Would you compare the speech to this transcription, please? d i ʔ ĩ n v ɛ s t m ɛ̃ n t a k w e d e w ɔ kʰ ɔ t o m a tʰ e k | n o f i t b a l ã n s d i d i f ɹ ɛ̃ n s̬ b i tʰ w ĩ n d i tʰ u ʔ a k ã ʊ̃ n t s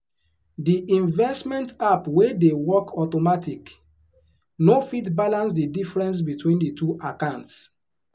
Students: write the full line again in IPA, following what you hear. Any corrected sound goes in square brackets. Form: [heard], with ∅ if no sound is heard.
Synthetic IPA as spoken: d i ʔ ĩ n v ɛ s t m ɛ̃ n t a [p] w e d e w ɔ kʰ ɔ t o m a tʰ [i] k | n o f i t b a l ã n s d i d i f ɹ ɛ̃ n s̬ b i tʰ w ĩ n d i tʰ u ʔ a k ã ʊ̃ n t s